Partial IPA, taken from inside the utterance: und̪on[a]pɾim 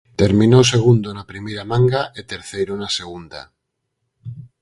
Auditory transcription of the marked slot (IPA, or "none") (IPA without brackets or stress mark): a